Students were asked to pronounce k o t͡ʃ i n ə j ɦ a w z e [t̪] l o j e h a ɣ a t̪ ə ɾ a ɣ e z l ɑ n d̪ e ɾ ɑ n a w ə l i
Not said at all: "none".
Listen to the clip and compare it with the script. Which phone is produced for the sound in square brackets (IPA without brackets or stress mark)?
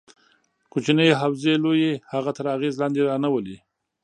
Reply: none